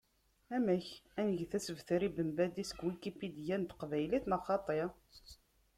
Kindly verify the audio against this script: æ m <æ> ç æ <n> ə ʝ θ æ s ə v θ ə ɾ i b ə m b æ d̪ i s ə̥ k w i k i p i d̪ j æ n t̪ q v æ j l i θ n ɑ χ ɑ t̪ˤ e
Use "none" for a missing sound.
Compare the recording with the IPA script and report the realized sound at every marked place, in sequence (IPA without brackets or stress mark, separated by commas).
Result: æ, n